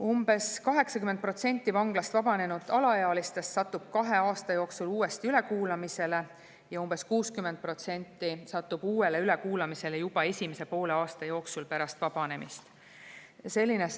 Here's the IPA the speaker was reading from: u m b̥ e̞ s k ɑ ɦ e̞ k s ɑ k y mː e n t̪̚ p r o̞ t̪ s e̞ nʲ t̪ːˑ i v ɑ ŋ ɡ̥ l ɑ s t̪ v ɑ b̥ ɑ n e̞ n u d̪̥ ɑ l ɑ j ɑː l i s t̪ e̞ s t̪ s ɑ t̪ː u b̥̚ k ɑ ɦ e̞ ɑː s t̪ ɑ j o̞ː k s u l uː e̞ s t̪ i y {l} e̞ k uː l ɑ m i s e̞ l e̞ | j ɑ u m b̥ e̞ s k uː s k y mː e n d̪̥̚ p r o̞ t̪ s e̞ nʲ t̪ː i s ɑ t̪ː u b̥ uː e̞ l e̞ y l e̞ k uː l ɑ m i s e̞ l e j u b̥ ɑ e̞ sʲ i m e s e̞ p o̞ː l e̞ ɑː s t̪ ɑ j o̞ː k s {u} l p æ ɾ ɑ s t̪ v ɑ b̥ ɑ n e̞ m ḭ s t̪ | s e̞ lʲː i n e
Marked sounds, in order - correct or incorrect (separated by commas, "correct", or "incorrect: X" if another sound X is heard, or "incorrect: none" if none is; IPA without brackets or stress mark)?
correct, correct